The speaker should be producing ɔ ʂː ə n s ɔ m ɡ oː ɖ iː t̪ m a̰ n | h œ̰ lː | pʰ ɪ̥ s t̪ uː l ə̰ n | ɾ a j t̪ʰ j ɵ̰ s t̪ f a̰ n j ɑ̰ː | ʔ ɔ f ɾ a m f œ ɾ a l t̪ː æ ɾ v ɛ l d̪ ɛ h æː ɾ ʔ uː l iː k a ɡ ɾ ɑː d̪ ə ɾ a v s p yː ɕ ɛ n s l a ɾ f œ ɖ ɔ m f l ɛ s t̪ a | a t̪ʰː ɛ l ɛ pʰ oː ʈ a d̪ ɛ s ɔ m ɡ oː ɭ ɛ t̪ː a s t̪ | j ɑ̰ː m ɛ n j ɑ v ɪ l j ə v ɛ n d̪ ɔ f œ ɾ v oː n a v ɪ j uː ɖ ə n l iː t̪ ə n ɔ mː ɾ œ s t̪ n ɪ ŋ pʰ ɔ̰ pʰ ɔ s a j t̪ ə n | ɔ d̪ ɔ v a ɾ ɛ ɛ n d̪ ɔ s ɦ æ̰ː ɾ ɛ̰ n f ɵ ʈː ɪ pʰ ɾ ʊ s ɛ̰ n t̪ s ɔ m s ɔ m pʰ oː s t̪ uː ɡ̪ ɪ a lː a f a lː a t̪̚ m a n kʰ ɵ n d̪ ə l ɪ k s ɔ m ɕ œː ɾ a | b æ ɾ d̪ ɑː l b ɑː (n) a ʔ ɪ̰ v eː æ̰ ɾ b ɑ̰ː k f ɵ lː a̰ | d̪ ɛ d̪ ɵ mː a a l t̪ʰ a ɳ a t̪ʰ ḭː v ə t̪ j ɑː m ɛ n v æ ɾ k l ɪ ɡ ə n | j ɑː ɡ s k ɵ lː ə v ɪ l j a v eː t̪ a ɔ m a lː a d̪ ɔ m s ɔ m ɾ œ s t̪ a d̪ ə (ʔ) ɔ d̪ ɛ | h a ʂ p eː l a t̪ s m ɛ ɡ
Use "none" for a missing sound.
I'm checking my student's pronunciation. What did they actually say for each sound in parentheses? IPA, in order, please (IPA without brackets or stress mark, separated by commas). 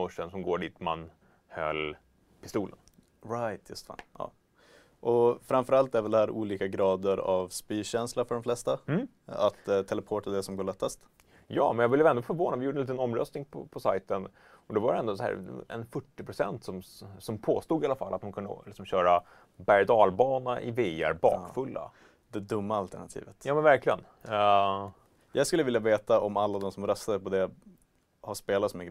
n, p